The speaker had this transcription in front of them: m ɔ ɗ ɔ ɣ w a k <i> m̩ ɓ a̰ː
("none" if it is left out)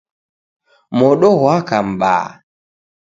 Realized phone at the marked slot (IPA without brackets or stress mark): a